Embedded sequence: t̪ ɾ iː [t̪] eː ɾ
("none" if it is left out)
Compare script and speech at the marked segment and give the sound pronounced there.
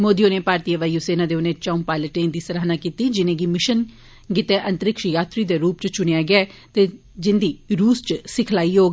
d̪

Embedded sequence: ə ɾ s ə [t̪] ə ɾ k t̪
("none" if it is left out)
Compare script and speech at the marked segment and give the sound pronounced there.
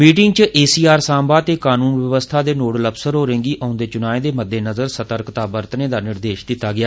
t̪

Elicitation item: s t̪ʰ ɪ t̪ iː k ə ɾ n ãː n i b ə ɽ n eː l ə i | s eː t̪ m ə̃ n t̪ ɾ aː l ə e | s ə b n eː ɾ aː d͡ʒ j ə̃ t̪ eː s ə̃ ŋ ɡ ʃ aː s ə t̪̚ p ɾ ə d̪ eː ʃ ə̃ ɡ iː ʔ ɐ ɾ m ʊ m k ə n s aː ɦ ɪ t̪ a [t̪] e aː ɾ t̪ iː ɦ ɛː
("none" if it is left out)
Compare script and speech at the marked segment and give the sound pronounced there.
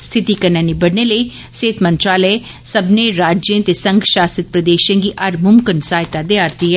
d̪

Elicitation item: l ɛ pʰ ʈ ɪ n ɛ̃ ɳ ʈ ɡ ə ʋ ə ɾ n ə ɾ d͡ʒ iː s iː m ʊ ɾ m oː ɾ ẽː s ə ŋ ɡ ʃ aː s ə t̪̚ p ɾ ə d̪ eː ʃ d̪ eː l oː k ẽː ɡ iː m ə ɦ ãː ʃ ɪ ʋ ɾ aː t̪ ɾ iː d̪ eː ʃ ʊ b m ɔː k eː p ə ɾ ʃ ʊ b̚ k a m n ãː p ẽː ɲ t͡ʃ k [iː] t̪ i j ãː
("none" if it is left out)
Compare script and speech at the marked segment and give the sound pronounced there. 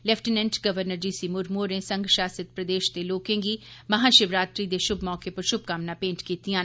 iː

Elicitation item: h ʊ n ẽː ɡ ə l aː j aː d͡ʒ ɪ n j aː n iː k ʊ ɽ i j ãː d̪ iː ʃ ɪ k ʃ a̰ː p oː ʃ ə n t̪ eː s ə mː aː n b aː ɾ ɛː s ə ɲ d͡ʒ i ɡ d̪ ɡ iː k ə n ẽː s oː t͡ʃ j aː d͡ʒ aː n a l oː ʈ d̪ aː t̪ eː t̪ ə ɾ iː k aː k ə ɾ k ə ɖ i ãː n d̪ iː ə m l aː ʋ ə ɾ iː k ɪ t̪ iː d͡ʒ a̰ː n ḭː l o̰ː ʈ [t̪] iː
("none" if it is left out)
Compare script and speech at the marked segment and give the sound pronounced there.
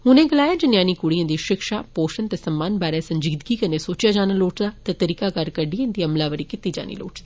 d̪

